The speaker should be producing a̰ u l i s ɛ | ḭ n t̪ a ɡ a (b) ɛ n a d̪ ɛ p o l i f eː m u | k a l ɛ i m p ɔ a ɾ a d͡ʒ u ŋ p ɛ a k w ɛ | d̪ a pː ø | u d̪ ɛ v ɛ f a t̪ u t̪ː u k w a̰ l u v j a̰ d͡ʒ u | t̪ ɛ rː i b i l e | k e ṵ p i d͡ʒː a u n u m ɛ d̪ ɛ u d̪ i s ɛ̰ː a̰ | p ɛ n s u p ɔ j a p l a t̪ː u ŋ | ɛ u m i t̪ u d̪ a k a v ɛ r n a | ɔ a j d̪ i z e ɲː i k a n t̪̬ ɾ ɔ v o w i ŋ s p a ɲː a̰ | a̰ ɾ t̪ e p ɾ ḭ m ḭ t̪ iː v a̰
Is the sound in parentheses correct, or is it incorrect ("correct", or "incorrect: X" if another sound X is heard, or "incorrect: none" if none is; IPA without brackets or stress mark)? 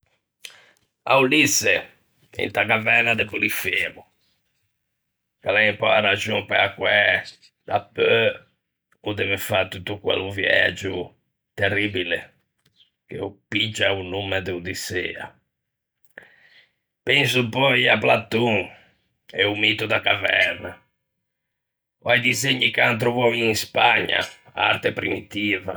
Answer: incorrect: v